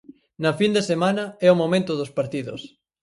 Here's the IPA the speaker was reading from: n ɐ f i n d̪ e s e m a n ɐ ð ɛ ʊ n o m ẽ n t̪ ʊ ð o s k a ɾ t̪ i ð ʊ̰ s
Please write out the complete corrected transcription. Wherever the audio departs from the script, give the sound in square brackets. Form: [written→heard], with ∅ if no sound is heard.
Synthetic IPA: n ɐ f i n d̪ e s e m a n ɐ [ð→∅] ɛ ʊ [n→m] o m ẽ n t̪ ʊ ð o s [k→p] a ɾ t̪ i ð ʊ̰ s